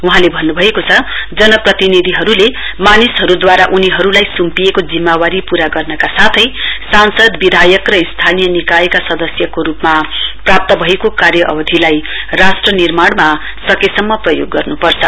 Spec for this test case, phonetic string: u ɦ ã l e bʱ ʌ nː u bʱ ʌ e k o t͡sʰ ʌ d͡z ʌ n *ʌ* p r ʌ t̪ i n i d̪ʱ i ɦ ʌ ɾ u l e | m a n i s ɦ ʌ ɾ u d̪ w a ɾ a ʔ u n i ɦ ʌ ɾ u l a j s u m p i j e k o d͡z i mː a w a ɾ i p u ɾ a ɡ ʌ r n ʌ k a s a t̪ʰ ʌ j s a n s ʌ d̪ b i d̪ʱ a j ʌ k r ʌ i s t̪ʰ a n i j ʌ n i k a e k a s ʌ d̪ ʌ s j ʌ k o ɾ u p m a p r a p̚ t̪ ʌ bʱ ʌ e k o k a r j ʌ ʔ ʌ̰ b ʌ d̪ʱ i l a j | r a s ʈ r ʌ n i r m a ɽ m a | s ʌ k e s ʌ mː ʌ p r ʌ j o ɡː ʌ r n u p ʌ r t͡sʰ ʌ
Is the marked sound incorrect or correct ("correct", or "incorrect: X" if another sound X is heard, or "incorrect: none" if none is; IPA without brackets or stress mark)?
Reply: correct